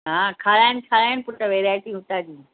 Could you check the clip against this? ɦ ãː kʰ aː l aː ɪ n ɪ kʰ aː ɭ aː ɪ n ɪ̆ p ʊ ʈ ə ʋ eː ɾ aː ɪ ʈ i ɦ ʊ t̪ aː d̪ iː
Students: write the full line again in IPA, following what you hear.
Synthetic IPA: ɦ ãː kʰ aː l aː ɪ n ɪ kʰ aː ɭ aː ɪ n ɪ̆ p ʊ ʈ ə ʋ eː ɾ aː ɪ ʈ i ɦ ʊ t̪ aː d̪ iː